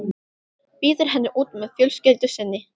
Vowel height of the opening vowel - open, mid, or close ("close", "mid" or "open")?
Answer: close